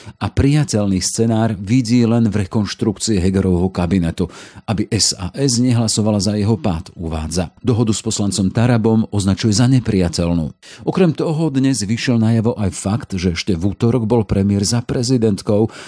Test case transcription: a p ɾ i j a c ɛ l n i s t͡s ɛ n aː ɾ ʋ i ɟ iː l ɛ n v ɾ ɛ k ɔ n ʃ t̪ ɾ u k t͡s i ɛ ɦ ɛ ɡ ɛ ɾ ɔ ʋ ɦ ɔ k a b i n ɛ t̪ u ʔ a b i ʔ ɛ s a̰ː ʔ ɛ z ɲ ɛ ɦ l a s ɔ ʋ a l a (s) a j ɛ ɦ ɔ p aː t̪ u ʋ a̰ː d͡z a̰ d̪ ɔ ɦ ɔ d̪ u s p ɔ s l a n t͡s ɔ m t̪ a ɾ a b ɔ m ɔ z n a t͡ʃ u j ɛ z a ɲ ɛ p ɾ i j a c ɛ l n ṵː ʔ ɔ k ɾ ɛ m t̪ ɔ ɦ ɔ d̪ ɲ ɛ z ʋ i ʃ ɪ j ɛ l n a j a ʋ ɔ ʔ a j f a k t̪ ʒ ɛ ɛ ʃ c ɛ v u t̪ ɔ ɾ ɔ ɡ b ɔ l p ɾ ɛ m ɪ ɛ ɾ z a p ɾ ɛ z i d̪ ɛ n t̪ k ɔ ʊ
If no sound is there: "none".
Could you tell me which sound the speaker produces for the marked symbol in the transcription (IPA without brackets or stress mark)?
z